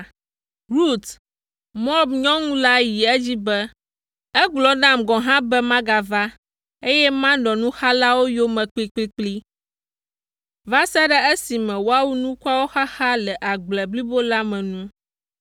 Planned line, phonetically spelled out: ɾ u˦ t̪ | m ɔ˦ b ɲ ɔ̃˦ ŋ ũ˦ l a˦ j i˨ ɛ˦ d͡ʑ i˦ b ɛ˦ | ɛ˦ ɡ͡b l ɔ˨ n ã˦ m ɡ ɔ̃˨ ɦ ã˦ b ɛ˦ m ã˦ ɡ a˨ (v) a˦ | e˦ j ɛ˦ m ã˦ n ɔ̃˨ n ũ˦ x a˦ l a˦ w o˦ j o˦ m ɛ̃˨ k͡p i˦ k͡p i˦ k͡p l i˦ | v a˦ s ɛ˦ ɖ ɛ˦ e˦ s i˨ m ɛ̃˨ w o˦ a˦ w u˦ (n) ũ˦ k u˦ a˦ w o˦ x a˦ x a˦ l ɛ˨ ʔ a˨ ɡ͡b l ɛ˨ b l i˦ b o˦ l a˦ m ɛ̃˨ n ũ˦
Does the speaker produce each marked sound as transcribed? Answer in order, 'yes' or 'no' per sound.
yes, yes

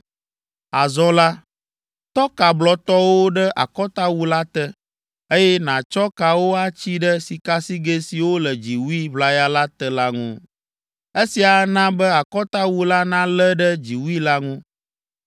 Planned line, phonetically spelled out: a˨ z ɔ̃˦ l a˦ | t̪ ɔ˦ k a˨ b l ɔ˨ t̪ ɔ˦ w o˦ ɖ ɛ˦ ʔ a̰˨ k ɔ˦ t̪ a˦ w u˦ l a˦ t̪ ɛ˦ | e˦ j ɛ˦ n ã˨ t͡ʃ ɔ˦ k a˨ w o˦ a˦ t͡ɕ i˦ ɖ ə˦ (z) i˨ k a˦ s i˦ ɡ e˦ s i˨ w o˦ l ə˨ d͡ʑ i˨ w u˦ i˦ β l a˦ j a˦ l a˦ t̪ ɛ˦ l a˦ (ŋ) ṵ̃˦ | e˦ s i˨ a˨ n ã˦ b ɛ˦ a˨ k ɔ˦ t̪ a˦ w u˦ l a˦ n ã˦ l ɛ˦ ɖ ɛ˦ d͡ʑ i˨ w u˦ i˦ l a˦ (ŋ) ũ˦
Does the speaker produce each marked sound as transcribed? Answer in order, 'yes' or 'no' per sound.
no, yes, yes

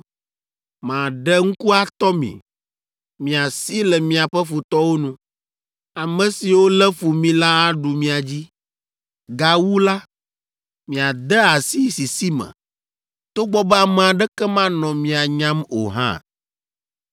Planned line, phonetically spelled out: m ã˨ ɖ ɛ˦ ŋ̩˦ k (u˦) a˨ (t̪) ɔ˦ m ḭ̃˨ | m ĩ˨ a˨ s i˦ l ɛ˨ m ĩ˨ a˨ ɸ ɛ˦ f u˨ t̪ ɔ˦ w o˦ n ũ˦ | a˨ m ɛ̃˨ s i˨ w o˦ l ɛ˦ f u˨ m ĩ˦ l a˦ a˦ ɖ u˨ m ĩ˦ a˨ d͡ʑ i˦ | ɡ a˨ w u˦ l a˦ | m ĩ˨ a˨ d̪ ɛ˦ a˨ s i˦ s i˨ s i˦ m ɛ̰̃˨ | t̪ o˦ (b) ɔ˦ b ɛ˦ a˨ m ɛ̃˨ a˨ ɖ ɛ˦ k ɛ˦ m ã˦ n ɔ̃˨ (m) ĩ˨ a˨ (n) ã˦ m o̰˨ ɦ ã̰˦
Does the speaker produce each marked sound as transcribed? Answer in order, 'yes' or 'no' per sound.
yes, yes, no, yes, no

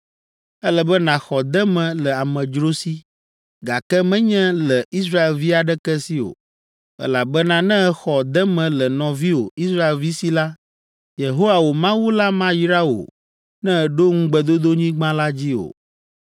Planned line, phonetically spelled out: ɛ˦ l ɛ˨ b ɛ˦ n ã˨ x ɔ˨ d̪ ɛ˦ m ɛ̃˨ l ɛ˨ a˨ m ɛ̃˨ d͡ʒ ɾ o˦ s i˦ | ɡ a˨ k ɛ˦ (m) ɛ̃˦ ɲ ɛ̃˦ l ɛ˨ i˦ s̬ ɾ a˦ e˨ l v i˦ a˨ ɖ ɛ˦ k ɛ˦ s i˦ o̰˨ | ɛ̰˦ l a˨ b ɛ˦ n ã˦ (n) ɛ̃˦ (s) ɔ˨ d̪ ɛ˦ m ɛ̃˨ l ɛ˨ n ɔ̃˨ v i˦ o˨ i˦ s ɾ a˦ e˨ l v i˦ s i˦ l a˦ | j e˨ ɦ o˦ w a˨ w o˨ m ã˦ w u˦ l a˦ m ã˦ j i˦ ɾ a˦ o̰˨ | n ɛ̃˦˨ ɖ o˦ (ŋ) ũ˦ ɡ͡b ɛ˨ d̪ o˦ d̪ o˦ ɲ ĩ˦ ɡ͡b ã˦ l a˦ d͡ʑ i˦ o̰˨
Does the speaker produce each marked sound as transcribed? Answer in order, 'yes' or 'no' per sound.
yes, yes, no, yes

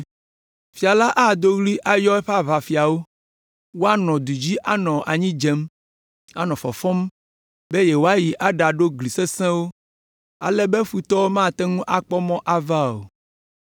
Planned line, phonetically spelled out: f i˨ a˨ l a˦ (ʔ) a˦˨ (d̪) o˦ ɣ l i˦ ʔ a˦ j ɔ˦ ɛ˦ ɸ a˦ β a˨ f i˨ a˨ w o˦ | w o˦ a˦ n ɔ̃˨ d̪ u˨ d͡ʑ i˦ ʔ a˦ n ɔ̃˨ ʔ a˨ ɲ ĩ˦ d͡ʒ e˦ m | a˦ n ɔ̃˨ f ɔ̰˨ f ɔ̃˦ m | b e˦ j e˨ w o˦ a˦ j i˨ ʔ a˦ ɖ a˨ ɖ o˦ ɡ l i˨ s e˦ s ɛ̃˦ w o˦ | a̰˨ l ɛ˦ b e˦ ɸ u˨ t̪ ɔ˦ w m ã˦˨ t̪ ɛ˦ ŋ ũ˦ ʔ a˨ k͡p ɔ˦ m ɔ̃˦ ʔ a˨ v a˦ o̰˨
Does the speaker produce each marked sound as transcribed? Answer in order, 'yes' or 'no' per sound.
yes, yes

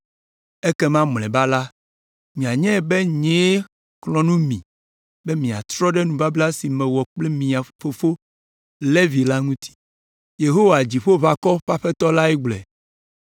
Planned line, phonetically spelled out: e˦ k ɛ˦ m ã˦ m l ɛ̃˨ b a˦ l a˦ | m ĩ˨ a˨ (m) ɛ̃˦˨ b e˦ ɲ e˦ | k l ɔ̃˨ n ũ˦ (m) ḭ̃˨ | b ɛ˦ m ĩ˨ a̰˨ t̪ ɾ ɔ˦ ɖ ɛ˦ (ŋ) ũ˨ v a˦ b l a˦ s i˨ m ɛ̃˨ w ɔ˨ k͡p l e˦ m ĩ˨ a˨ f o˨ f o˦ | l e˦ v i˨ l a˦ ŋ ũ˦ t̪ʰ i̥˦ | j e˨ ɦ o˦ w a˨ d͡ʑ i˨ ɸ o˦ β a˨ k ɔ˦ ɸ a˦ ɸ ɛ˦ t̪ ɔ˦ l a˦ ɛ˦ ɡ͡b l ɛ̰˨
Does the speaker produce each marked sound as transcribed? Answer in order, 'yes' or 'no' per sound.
no, yes, no

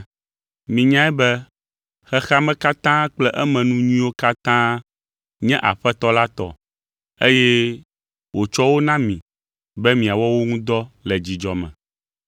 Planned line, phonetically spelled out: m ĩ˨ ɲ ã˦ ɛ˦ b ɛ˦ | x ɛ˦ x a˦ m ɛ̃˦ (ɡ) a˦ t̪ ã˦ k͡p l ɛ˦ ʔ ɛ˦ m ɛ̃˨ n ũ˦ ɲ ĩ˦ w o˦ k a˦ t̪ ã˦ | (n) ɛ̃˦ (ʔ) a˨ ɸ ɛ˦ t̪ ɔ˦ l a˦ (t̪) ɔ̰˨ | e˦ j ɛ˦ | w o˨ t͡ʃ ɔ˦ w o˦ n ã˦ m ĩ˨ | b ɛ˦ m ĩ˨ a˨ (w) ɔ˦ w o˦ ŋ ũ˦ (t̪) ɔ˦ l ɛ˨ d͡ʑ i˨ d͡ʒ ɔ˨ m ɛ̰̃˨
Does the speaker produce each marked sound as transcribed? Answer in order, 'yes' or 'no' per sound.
no, no, yes, yes, yes, no

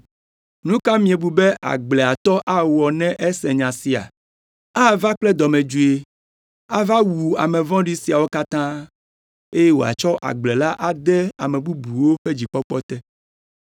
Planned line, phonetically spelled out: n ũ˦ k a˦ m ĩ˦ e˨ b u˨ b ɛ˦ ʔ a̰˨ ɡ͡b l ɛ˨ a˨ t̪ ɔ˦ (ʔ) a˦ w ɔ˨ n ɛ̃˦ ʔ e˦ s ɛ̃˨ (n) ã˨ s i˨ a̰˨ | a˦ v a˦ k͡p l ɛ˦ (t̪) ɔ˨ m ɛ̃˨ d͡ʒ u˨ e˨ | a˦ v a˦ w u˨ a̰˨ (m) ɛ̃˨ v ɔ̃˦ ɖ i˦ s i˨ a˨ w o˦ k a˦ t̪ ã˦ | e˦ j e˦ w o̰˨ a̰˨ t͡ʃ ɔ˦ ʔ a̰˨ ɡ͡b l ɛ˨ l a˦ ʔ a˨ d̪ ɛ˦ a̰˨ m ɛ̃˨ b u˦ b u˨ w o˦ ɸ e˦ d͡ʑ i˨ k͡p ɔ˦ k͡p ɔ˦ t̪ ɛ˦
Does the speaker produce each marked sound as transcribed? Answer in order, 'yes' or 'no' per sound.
yes, no, no, yes

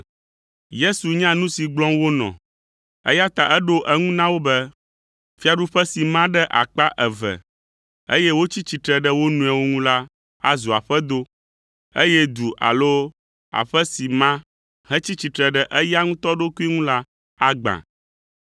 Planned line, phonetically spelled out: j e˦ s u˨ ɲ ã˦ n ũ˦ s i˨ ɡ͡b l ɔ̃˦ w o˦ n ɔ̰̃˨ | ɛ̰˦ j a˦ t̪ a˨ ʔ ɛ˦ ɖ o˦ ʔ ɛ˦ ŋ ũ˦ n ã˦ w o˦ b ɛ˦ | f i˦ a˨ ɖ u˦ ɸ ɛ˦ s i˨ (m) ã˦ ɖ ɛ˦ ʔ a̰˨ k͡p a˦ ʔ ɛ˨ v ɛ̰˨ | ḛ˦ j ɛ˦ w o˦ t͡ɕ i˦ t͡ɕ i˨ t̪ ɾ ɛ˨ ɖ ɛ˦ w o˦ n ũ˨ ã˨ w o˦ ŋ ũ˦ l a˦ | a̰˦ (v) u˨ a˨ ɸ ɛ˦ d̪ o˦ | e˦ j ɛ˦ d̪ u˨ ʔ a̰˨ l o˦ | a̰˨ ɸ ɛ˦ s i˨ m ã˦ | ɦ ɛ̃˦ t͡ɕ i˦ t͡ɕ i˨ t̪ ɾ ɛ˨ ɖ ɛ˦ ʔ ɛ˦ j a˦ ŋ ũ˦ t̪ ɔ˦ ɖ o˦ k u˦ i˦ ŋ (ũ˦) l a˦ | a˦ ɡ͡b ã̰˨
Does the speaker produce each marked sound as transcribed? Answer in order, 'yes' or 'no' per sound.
yes, no, yes

